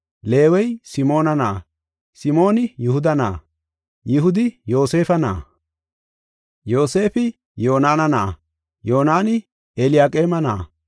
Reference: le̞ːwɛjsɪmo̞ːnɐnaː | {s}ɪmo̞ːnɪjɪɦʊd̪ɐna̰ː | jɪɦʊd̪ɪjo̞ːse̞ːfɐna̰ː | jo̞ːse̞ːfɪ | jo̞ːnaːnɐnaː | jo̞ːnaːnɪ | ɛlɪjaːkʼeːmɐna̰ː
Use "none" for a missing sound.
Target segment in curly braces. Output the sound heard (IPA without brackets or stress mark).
s